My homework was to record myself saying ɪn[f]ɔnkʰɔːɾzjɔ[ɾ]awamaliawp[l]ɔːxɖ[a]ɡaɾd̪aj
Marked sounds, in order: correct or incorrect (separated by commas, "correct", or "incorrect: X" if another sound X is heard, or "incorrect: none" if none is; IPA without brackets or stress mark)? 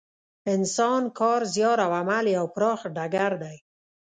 incorrect: s, correct, incorrect: ɾ, correct